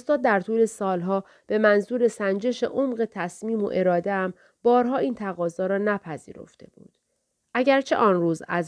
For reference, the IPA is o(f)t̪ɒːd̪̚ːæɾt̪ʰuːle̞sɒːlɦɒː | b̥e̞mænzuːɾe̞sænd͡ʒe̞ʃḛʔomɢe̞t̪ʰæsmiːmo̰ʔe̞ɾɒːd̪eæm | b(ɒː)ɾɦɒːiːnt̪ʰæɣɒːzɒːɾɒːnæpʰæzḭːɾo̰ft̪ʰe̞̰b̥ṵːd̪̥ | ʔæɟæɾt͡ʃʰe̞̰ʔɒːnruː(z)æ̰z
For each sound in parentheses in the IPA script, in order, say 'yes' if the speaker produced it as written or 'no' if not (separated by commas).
no, yes, yes